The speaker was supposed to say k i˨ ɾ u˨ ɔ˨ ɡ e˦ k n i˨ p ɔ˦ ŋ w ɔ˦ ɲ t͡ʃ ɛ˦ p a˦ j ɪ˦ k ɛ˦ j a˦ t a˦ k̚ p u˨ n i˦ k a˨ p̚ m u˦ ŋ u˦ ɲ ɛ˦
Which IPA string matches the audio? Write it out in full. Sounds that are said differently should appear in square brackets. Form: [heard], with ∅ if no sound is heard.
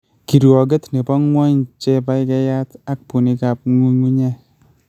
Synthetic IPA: k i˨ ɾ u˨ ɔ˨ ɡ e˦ [t] n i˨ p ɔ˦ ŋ w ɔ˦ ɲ t͡ʃ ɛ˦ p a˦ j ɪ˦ k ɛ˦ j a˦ t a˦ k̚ p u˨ n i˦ k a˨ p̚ [ŋ] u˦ ŋ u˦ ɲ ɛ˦